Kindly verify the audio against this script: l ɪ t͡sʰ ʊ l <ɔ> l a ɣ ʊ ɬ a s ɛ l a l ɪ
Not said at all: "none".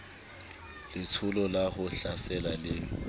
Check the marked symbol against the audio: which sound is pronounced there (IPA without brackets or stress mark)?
ɔ